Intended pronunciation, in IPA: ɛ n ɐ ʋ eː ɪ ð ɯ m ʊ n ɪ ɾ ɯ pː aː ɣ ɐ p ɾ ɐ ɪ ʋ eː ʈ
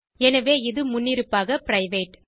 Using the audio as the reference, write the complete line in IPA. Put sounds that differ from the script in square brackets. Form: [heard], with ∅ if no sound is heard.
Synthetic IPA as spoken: ɛ n ɐ ʋ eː ɪ ð ɯ m ʊ [nː] ɪ ɾ ɯ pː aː ɣ ɐ p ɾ ɐ ɪ ʋ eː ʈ

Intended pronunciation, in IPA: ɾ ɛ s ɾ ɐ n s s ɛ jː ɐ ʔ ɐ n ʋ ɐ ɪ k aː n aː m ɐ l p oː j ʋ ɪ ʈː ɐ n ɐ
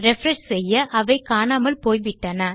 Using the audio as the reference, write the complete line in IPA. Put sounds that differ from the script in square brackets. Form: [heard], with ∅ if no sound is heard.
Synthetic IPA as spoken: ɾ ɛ [f] ɾ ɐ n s s ɛ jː ɐ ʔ ɐ [∅] ʋ ɐ ɪ k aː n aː m ɐ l p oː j ʋ ɪ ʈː ɐ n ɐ

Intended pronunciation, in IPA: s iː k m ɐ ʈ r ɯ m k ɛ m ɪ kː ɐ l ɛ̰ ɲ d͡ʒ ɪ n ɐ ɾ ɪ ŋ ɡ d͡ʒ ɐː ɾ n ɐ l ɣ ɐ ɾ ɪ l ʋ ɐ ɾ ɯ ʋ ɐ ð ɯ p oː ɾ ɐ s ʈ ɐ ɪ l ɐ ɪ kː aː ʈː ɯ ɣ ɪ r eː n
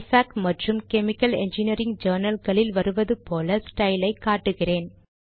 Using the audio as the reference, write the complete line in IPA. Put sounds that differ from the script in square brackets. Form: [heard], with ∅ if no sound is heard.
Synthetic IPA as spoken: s [aː] k m ɐ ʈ r ɯ m k ɛ m ɪ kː ɐ l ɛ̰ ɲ d͡ʒ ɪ n ɐ ɾ ɪ ŋ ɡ d͡ʒ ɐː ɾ n ɐ l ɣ ɐ [ɭ] ɪ l ʋ ɐ ɾ ɯ ʋ ɐ ð ɯ p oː [l] ɐ s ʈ ɐ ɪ l ɐ ɪ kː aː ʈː ɯ ɣ ɪ r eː n

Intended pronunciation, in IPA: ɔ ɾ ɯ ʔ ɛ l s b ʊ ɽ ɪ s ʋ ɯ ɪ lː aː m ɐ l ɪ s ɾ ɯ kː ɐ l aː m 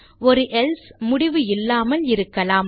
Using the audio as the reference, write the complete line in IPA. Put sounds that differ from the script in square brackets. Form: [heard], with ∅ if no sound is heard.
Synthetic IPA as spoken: ɔ ɾ ɯ ʔ ɛ l s [m] ʊ ɽ ɪ [∅] ʋ ɯ ɪ lː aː m ɐ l ɪ [∅] ɾ ɯ kː ɐ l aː m

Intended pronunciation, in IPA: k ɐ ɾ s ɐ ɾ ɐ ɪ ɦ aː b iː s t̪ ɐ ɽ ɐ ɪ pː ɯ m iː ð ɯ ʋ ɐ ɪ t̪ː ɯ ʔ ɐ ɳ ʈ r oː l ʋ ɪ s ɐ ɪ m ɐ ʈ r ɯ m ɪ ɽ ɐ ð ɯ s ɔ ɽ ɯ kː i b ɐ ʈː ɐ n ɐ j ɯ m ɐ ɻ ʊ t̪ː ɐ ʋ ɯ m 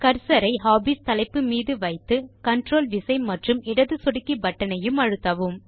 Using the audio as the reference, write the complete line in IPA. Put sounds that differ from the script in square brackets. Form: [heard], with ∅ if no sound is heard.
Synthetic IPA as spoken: k ɐ ɾ s ɐ ɾ ɐ ɪ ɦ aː b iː s t̪ ɐ [l] ɐ ɪ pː ɯ m iː ð ɯ ʋ ɐ ɪ t̪ː ɯ [k] ɐ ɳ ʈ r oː l ʋ ɪ s ɐ ɪ m ɐ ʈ r ɯ m ɪ ɽ ɐ ð ɯ s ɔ ɽ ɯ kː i b ɐ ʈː ɐ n ɐ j ɯ m ɐ ɻ [ɯ] t̪ː ɐ ʋ ɯ m

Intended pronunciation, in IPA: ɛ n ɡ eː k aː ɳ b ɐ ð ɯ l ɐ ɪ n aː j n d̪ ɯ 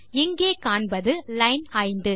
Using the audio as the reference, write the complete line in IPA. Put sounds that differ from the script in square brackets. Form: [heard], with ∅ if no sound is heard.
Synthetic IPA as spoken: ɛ [ŋ] ɡ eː k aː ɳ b ɐ ð ɯ l ɐ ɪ n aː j n d̪ ɯ

